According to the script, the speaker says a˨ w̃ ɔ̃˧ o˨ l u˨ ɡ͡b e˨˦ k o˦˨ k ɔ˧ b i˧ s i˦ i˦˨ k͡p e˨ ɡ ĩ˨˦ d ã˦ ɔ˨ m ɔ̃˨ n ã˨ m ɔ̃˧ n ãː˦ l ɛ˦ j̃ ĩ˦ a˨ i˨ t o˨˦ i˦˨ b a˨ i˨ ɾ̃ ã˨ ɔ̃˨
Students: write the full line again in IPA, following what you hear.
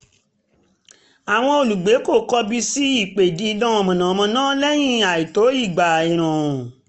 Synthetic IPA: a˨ w̃ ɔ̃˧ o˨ l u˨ ɡ͡b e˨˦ k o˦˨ k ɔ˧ b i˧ s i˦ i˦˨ k͡p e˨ d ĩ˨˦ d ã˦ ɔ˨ m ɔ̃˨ n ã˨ m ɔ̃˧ n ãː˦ l ɛ˦ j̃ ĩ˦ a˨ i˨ t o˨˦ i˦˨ ɡ͡b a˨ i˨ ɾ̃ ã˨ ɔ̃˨